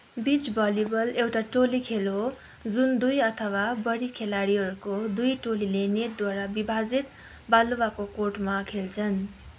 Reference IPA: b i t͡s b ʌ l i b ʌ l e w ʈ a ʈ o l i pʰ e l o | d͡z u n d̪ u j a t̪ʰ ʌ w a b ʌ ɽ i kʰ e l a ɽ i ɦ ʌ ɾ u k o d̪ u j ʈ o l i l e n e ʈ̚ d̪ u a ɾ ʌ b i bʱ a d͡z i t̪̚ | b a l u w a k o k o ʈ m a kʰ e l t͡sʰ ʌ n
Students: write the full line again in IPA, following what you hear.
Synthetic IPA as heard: b i t͡s b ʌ l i b ʌ l e w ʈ a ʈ o l i kʰ e l o | d͡z u n d̪ u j ʌ t̪ʰ ʌ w a b ʌ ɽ i kʰ e l a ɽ i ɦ ʌ ɾ u k o d̪ u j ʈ o l i l e n e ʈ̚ d̪ w a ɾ a b i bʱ a d͡z i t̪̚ | b a l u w a k o k o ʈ m a kʰ e l t͡sʰ ʌ n